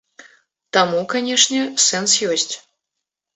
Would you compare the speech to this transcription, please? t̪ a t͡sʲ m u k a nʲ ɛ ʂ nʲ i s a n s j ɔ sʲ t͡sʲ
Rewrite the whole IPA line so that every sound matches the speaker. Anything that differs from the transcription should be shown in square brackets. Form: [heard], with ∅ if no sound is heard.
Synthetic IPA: t̪ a [∅] m u k a nʲ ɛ ʂ nʲ [ɛ] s [ɛ] n s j ɔ sʲ t͡sʲ